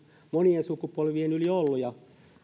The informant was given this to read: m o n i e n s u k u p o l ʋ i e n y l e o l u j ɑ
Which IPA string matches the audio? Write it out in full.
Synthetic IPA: m o n i e n s u k u p o l ʋ i e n y l i o lː u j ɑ